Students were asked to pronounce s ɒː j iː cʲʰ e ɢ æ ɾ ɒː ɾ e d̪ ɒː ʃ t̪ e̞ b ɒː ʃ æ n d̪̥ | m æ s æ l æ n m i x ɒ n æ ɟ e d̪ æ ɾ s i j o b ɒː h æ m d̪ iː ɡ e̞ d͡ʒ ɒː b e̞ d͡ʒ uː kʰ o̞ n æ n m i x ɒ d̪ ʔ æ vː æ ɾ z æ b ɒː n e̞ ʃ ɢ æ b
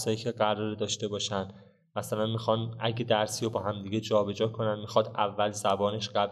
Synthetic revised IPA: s ɒː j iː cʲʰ e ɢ æ ɾ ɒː ɾ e d̪ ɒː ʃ t̪ e̞ b ɒː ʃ æ n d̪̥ | m æ s æ l æ n m i x ɒ n æ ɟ e d̪ æ ɾ s i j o b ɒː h æ m d̪ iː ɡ e̞ d͡ʒ ɒː b e̞ d͡ʒ ɒː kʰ o̞ n æ n m i x ɒ d̪ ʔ æ vː æ l z æ b ɒː n e̞ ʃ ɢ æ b